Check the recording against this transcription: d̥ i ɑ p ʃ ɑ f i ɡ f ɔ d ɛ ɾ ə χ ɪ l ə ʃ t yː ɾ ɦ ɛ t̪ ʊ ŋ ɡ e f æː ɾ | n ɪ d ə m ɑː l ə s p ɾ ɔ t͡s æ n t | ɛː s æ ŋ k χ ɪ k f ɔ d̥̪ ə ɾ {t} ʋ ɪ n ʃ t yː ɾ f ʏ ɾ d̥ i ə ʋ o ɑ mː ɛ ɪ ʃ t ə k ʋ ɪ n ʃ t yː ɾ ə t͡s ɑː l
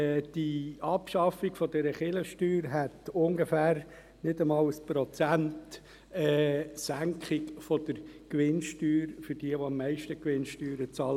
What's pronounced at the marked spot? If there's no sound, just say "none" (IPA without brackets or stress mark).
k